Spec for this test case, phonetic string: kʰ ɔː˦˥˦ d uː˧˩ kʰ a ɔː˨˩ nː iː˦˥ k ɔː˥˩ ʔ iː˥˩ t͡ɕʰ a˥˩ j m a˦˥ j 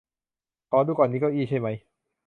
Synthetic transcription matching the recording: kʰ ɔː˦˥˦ d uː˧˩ k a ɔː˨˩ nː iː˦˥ k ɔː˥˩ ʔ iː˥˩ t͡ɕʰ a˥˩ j m a˦˥ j